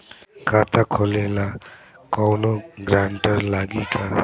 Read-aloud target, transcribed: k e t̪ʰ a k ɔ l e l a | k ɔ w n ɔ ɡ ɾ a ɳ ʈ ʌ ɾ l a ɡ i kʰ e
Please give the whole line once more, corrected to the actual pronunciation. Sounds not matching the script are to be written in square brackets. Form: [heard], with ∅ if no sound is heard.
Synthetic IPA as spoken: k [a] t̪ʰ a [kʰ] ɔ l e l a | k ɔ w n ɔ ɡ ɾ a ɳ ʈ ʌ ɾ l a ɡ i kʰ [a]